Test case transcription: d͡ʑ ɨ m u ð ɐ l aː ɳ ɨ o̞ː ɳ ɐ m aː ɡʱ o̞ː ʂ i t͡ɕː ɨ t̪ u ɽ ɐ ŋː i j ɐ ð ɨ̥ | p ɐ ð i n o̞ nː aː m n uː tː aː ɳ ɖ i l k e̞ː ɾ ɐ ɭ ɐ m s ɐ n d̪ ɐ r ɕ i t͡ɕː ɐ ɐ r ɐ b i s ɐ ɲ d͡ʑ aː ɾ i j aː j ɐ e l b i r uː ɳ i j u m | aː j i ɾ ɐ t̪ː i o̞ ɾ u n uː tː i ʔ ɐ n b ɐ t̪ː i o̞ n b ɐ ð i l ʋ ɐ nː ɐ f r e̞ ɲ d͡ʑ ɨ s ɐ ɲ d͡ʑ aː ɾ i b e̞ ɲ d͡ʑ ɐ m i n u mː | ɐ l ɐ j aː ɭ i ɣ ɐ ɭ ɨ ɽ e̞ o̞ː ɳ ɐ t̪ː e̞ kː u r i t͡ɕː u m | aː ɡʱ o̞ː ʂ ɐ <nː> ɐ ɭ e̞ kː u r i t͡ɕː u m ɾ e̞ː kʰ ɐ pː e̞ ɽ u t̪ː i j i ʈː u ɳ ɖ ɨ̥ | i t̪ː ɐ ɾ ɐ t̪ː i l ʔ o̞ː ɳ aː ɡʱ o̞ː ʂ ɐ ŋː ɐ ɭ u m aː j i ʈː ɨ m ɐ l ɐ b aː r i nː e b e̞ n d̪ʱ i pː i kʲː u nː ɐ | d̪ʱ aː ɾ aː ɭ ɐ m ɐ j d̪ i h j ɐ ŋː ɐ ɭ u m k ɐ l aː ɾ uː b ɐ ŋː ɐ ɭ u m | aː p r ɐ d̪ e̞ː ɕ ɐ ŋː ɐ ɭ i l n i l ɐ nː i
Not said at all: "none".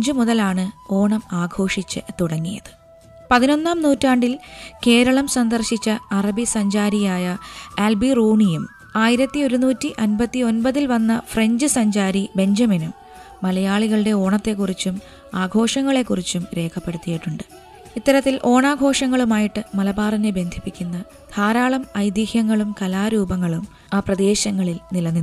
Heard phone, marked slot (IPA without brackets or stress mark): ŋː